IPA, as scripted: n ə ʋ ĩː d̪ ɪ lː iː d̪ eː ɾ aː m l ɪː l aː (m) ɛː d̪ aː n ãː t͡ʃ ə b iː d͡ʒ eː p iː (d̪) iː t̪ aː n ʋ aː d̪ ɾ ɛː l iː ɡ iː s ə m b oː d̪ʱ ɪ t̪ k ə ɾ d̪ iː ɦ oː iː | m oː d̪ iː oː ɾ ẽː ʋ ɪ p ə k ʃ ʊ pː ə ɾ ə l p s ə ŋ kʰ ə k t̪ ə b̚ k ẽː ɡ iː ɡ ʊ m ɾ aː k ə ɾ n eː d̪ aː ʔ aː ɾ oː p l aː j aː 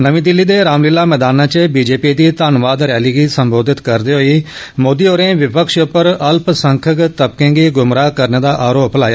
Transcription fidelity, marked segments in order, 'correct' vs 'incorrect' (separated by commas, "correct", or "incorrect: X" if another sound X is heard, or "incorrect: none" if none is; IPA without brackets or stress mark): correct, correct